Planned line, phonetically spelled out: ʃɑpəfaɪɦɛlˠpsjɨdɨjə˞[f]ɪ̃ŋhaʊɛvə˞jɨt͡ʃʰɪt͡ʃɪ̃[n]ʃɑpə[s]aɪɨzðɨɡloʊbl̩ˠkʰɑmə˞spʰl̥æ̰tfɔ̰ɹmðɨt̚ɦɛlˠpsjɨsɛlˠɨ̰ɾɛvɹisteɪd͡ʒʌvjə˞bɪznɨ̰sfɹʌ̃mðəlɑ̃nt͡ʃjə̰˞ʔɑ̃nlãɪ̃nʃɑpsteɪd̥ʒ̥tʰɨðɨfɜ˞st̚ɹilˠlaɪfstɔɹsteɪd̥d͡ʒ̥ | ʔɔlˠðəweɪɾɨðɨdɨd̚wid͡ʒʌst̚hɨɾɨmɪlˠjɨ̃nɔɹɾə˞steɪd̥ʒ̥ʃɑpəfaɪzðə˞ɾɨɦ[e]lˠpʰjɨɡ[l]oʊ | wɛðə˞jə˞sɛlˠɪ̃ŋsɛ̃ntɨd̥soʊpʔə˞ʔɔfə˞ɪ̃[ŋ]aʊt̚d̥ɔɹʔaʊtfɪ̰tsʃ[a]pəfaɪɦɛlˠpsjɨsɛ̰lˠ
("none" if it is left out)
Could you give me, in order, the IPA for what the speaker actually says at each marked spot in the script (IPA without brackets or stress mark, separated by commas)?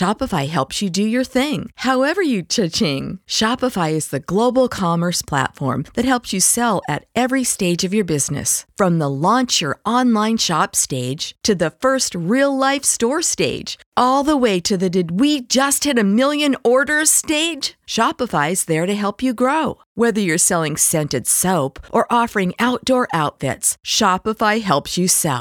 θ, ŋ, f, ɛ, ɹ, ŋ, ɑ